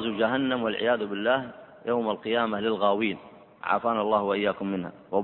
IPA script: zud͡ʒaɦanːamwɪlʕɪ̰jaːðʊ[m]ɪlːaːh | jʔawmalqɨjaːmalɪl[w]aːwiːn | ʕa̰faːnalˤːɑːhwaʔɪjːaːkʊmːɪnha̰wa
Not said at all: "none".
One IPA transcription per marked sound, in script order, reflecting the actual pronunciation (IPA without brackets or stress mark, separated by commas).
b, ɣ